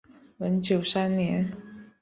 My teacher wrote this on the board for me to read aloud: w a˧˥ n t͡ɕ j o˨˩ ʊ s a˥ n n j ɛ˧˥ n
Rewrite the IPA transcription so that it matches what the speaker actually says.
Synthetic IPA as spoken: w ə˧˥ n t͡ɕ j o˨˩ ʊ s a˥ n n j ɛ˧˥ n

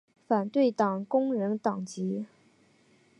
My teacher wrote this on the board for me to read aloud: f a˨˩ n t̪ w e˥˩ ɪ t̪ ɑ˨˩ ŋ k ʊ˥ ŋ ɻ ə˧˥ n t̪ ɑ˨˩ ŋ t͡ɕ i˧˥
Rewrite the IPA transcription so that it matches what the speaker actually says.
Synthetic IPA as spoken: f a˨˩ n t̪ w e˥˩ ɪ t̪ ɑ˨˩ ŋ k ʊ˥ ŋ ɻ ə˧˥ n t̪ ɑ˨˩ ŋ t͡ɕ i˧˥

